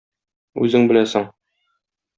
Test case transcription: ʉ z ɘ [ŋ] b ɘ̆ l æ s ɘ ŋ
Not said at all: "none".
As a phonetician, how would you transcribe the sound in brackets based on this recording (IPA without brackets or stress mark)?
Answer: ŋ